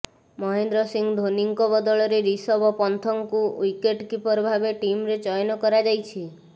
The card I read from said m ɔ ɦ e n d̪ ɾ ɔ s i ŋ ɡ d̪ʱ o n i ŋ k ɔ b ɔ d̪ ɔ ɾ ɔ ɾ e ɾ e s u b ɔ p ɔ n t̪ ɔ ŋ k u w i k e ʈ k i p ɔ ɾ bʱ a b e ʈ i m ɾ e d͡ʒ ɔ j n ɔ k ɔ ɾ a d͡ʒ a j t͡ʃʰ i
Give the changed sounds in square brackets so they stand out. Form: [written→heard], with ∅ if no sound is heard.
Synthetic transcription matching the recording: m ɔ ɦ e n d̪ ɾ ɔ s i ŋ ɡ d̪ʱ o n i ŋ k ɔ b ɔ d̪ ɔ [ɾ→ɭ] ɔ ɾ e ɾ [e→i] s [u→ɔ] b ɔ p ɔ n [t̪→t̪ʰ] ɔ ŋ k u w i k e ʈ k i p ɔ ɾ bʱ a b e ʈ i m ɾ e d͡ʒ ɔ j n ɔ k ɔ ɾ a d͡ʒ a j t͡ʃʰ i